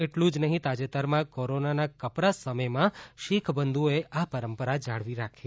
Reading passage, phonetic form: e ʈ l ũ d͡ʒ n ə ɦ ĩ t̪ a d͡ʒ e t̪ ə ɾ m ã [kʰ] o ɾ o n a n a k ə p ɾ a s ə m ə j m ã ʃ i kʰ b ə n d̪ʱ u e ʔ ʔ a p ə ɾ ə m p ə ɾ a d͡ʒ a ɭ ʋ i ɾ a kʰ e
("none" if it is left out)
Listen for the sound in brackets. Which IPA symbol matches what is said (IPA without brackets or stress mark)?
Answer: k